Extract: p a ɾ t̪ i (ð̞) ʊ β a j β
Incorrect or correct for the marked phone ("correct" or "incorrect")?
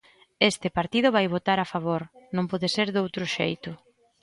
correct